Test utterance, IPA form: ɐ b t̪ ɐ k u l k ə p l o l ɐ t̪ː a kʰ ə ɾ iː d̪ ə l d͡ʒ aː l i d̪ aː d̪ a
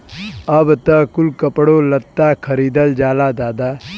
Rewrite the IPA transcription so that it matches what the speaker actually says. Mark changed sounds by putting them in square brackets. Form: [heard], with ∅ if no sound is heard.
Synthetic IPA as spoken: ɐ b t̪ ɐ k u l k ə p [ɽ] o l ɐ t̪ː a kʰ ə ɾ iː d̪ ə l d͡ʒ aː l [a] d̪ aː d̪ a